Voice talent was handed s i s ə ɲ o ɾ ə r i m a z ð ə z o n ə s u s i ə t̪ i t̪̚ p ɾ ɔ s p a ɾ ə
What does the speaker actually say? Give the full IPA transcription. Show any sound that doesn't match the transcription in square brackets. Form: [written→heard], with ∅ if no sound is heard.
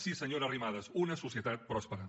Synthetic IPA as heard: s i s ə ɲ o ɾ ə r i m a [z→∅] ð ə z [o→u] n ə s u s i ə t̪ [i→a] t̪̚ p ɾ ɔ s p [a→ə] ɾ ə